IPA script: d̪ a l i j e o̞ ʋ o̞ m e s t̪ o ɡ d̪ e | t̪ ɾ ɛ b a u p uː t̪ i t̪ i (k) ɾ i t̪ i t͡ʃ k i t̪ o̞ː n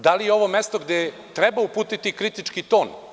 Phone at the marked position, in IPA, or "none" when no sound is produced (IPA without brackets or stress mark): k